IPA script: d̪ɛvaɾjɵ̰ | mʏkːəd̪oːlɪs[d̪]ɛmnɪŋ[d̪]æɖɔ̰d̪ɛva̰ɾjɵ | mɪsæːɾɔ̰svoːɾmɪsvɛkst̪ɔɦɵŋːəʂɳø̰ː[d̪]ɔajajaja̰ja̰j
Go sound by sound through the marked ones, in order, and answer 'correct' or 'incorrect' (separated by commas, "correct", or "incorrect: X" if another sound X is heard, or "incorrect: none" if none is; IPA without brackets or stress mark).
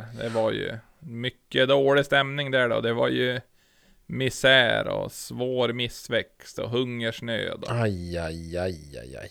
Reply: incorrect: t̪, correct, correct